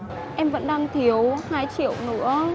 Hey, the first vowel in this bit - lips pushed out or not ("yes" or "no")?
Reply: no